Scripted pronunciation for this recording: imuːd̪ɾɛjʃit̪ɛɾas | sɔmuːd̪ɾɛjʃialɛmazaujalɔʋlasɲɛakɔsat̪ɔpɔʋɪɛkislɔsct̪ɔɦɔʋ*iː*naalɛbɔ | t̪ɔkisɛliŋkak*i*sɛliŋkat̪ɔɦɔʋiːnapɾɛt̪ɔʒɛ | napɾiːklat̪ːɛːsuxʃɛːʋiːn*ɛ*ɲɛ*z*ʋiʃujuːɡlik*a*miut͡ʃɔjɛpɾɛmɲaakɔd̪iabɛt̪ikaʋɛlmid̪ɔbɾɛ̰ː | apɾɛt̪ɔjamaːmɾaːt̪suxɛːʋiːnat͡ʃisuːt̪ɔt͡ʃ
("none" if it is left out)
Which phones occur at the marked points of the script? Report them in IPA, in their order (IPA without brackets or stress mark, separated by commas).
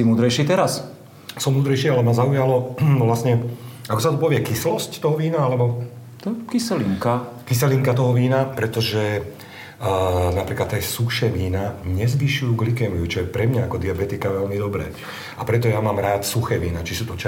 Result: iː, i, a, z, ɛ